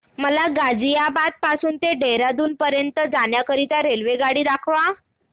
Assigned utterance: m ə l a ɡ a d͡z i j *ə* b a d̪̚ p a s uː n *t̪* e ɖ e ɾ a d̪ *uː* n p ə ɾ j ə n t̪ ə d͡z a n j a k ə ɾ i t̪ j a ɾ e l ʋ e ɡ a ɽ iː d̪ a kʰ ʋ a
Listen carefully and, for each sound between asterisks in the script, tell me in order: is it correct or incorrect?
incorrect, correct, correct

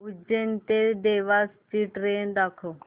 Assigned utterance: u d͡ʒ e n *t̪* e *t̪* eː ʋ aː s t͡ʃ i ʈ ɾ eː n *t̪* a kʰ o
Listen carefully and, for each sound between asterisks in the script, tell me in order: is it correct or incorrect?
correct, incorrect, incorrect

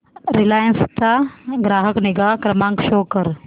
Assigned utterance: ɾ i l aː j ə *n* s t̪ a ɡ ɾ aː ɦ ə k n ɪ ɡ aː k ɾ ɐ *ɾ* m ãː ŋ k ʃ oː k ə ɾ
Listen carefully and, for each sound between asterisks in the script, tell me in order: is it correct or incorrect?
correct, incorrect

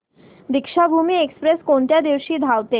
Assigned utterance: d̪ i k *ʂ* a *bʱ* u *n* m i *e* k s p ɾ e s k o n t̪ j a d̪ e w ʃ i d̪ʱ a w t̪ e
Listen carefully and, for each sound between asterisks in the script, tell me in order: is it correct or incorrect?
incorrect, correct, incorrect, correct

